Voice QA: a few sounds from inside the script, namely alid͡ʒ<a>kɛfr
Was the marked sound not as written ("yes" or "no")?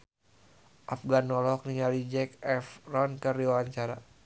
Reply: yes